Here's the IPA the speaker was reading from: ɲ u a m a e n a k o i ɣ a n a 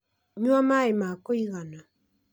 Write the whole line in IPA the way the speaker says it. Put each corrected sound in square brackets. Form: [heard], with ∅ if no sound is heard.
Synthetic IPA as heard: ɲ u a m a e [m] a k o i ɣ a n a